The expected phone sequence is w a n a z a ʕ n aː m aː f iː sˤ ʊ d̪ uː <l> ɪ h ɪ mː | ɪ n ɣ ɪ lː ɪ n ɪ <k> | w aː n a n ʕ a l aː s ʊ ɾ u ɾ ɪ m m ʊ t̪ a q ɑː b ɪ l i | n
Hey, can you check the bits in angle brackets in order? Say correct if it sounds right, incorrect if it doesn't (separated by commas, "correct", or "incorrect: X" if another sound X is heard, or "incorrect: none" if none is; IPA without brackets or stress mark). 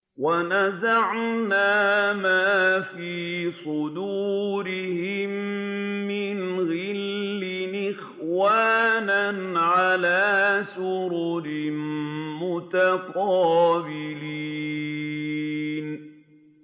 incorrect: ɾ, incorrect: x